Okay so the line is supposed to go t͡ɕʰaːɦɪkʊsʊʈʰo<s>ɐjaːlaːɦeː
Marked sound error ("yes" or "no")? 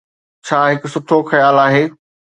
yes